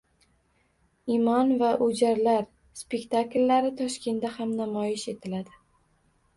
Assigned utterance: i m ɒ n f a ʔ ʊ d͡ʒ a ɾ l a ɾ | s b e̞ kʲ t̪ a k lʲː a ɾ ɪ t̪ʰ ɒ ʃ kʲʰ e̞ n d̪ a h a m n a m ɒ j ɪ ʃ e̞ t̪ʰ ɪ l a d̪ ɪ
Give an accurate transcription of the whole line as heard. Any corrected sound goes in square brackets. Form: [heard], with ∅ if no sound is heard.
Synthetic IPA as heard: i m ɒ n [v] a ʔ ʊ d͡ʒ a ɾ l a ɾ | s [p] e̞ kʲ t̪ a k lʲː a ɾ ɪ t̪ʰ ɒ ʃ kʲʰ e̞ n d̪ a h a m n a m ɒ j ɪ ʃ e̞ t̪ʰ ɪ l a d̪ ɪ